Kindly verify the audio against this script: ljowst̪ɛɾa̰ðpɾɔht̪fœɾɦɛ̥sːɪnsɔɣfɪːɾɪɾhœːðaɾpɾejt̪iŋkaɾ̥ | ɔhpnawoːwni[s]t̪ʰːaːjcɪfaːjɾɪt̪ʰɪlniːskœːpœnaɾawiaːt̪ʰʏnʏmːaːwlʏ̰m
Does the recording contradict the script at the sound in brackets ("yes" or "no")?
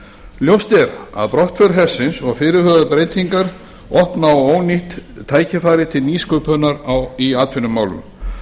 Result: yes